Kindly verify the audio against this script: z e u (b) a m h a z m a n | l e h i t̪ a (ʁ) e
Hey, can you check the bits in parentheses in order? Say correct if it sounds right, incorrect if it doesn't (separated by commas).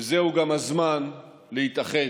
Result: incorrect, incorrect